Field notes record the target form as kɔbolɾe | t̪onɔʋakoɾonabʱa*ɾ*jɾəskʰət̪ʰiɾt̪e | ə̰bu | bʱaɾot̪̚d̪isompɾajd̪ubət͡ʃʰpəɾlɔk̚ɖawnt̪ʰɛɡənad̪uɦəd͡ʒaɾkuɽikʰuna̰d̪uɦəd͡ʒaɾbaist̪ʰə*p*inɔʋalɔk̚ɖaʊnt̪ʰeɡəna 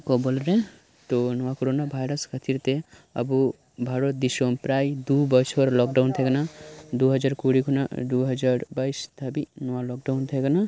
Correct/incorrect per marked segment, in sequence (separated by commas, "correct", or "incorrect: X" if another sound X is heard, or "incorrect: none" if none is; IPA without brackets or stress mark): incorrect: none, incorrect: b